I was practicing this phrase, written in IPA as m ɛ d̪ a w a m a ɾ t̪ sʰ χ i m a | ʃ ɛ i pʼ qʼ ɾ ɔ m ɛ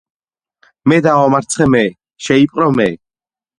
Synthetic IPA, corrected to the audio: m ɛ d̪ a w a m a ɾ t̪ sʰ χ ɛ m ɛ | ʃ ɛ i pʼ qʼ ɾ ɔ m ɛ